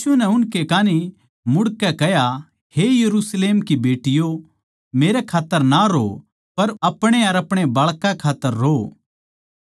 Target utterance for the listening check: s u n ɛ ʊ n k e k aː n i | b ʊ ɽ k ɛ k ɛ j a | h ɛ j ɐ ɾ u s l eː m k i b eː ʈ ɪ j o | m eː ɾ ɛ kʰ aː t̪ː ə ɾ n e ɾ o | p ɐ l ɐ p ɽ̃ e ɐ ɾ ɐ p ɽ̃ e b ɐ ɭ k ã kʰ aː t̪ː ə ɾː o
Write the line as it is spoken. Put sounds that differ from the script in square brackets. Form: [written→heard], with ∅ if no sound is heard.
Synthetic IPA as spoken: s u n ɛ ʊ n k e k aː n i | [b→m] ʊ ɽ k ɛ k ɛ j a | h [ɛ→e] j ɐ ɾ u s l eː m k i b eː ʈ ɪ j o | m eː ɾ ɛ kʰ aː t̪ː ə ɾ n [e→a] ɾ o | p ɐ [l→ɾ] ɐ p ɽ̃ e ɐ ɾ ɐ p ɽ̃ e b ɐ ɭ k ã kʰ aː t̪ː ə ɾː o